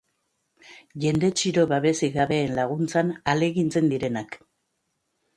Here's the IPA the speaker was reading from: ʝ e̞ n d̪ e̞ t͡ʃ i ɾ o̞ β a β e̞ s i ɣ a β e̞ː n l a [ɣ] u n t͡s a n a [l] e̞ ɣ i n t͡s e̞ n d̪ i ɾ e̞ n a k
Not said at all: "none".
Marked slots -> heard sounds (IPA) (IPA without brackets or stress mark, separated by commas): ɣ, l